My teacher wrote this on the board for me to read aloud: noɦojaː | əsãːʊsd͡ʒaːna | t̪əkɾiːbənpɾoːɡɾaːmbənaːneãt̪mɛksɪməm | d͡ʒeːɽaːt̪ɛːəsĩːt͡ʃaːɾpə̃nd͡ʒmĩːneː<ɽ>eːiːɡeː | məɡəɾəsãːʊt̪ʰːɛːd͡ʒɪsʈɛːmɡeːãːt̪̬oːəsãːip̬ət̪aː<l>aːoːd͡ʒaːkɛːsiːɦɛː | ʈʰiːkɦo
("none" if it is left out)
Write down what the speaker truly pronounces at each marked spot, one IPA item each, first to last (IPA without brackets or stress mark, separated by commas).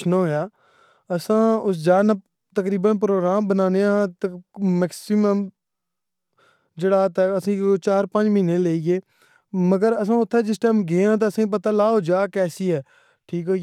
l, l